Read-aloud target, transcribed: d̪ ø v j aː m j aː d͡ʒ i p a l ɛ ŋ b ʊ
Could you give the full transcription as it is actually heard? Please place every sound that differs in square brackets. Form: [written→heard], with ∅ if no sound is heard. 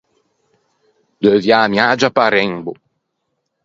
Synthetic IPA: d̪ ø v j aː m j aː d͡ʒ [i→a] p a [l→ɾ] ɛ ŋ b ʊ